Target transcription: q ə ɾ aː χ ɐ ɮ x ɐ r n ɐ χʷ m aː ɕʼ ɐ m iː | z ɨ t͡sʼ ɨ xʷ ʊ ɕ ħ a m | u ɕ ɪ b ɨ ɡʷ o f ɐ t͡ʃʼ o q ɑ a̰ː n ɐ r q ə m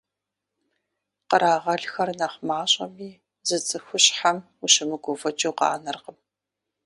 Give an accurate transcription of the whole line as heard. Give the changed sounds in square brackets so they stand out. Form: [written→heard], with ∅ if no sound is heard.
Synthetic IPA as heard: q ə ɾ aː [χ→ʁ] ɐ ɮ x ɐ r n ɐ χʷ m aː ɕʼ ɐ m iː | z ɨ t͡sʼ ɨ xʷ ʊ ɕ ħ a m | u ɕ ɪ [b→m] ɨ ɡʷ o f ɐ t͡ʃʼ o q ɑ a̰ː n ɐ r q ə m